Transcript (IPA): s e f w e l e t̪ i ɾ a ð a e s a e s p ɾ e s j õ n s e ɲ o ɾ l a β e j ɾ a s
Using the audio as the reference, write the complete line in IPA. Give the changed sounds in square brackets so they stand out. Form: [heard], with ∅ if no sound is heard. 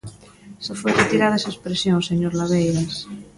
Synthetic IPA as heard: s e f w e [r] e t̪ i ɾ a ð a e s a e s p ɾ e s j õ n s e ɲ o ɾ l a β e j ɾ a s